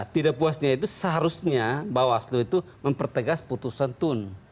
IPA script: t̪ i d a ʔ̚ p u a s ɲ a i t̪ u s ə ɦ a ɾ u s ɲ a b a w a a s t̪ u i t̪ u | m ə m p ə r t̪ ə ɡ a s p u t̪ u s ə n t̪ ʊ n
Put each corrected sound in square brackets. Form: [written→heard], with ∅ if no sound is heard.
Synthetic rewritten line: t̪ i d a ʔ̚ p u a s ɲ a i t̪ u s ə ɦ a ɾ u s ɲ a b a w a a s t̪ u i t̪ u | m ə m p ə r t̪ ə ɡ a s p u t̪ u s [ə→a] n t̪ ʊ n